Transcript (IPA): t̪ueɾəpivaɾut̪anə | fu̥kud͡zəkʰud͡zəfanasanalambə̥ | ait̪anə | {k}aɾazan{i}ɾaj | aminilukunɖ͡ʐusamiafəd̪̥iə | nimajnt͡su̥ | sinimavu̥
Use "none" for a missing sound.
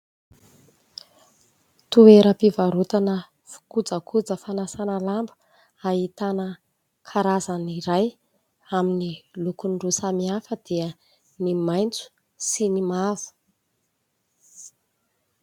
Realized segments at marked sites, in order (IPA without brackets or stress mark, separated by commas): kʰ, i